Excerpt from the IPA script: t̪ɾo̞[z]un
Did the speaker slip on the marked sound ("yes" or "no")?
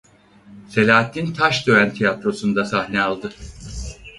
yes